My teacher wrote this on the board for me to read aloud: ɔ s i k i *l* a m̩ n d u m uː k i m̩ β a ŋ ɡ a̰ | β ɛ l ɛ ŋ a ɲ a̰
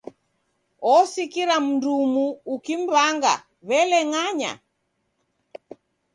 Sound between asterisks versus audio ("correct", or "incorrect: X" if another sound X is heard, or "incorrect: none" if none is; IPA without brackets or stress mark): incorrect: ɾ